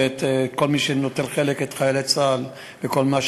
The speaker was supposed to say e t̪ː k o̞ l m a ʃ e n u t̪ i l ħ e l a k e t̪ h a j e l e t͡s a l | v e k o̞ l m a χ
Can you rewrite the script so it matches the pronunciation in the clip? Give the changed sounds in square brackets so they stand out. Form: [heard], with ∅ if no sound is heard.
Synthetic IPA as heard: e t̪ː k o̞ l m [i] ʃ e n [o] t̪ [e] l [χ] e l [e] k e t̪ [χ] a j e l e t͡s a l | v e k o̞ l m a [ʃ]